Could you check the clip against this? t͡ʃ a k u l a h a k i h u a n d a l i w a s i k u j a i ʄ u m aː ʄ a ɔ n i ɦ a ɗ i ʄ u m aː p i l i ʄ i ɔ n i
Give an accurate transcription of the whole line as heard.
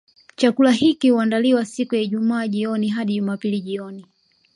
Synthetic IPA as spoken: t͡ʃ a k u l a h i k i h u a n d a l i w a s i k u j a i ʄ u m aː ʄ i ɔ n i ɦ a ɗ i ʄ u m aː p i l i ʄ i ɔ n i

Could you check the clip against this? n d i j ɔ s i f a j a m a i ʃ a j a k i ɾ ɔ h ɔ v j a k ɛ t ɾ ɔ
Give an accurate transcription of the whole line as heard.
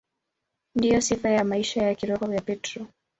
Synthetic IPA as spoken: n d i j ɔ s i f a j a m a i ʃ a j a k i ɾ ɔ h ɔ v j a p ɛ t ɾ ɔ

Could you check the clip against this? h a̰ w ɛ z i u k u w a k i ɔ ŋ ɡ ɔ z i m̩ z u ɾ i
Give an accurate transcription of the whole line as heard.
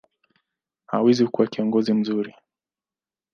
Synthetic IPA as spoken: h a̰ w ɛ z i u k u w a k i ɔ ŋ ɡ ɔ z i m̩ z u ɾ i

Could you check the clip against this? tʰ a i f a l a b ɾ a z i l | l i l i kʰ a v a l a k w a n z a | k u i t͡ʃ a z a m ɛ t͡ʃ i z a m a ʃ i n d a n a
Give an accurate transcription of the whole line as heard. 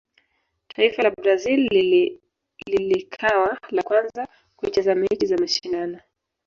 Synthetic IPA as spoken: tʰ a i f a l a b ɾ a z i l | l i l i kʰ a w a l a k w a n z a | k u i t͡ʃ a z a m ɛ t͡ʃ i z a m a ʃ i n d a n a

